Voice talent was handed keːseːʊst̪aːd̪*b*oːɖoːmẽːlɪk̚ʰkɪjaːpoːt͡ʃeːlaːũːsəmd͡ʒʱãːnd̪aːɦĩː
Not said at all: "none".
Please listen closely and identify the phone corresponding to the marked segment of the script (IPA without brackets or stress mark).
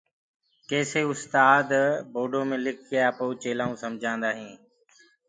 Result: b